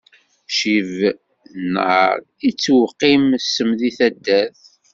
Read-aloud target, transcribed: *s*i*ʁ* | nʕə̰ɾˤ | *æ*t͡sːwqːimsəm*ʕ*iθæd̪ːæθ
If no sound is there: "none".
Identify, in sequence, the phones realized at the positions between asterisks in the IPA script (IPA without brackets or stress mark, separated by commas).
ʃ, v, i, ð